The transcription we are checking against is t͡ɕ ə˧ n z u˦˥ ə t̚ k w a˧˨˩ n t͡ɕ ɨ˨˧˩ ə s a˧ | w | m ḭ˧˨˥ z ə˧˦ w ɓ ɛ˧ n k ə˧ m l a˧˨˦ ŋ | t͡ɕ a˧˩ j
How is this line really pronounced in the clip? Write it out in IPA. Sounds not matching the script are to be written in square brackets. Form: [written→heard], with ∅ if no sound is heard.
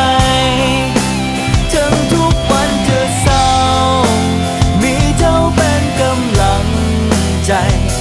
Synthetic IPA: t͡ɕ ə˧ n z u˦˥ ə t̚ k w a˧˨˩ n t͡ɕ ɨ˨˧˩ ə s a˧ | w | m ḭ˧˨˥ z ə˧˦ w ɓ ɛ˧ n k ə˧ m l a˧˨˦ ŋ | t͡ɕ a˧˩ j